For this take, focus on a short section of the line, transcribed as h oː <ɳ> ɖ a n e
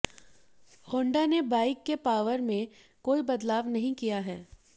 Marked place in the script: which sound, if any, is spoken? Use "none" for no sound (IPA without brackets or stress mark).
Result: ɳ